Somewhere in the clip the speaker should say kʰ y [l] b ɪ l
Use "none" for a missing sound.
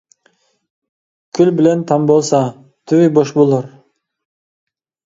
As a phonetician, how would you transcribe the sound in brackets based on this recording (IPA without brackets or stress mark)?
l